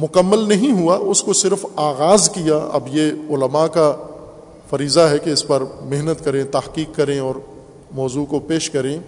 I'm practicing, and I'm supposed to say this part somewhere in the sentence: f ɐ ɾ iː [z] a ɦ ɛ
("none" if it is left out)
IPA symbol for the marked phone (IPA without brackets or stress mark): z